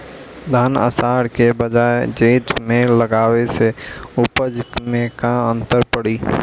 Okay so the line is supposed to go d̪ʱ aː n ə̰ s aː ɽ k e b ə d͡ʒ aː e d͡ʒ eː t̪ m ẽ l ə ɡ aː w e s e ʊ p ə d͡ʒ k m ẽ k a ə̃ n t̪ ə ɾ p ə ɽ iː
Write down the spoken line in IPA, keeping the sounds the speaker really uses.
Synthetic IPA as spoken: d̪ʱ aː n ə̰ s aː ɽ k e b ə d͡ʒ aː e d͡ʒ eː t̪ m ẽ l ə ɡ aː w e s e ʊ p ə d͡ʒ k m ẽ k a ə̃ n t̪ ə ɾ p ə ɽ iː